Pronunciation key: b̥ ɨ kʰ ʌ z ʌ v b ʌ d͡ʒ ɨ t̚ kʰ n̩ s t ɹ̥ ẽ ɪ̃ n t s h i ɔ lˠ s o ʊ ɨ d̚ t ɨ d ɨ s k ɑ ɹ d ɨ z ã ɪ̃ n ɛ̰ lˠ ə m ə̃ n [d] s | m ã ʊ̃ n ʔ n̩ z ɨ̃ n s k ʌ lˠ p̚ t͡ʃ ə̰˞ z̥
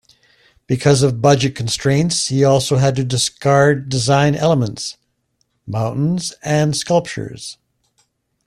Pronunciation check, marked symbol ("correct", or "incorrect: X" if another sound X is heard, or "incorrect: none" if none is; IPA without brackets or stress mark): incorrect: t